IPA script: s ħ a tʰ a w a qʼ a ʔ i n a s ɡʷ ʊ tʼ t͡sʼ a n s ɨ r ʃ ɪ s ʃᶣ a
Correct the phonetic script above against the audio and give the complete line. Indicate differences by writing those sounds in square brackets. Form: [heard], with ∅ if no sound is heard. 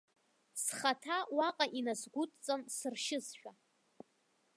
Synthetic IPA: s [χ] a tʰ a w a qʼ a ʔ i n a s ɡʷ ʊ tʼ t͡sʼ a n s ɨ r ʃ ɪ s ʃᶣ a